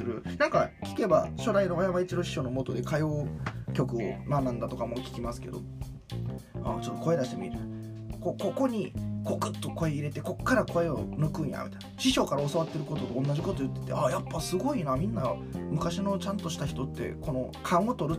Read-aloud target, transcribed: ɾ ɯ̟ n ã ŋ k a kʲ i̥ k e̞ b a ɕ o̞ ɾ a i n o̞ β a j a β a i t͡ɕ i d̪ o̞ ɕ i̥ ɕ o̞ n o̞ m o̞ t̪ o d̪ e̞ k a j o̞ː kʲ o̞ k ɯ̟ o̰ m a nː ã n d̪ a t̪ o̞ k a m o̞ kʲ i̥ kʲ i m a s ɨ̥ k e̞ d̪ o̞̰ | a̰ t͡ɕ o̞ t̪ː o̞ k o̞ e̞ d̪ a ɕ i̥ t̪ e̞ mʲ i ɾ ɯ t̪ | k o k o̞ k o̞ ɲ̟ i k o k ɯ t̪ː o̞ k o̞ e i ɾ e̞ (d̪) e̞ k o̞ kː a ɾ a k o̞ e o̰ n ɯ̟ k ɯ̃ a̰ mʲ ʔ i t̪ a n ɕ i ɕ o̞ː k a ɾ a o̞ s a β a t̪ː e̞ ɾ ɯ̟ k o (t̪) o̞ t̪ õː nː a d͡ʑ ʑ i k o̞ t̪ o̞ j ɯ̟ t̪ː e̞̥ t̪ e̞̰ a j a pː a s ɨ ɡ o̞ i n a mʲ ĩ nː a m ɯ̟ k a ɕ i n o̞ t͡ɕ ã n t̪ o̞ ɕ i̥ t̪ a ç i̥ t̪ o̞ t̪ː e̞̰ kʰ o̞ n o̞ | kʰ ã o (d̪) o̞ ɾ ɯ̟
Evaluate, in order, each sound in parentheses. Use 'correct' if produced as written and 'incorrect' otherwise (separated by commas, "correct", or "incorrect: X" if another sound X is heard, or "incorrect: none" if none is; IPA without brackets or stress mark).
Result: incorrect: t̪, correct, incorrect: t̪